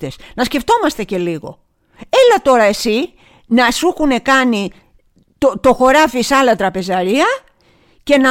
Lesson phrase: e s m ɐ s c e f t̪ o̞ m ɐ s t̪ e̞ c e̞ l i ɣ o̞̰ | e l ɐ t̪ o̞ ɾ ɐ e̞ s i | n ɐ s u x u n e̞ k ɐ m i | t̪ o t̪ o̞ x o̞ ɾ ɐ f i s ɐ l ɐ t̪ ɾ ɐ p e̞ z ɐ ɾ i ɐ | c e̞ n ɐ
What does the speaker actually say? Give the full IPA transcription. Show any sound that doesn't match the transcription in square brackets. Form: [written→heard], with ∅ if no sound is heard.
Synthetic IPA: e s [m→n] ɐ s c e f t̪ o̞ m ɐ s t̪ e̞ c e̞ l i ɣ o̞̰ | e l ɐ t̪ o̞ ɾ ɐ e̞ s i | n ɐ s u x u n e̞ k ɐ [m→n] i | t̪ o t̪ o̞ x o̞ ɾ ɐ f i s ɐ l ɐ t̪ ɾ ɐ p e̞ z ɐ ɾ i ɐ | c e̞ n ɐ